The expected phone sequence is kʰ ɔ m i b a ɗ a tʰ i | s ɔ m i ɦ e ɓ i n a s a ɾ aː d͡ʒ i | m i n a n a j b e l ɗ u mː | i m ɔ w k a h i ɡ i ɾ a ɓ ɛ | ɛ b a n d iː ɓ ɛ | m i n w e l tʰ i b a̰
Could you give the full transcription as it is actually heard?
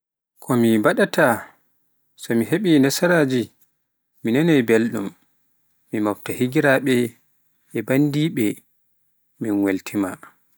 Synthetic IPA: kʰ ɔ m i b a ɗ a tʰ a | s ɔ m i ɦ e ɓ i n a s a ɾ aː d͡ʒ i | m i n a n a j b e l ɗ u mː | i m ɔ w t a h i ɡ i ɾ a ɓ ɛ | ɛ b a n d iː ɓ ɛ | m i n w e l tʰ i m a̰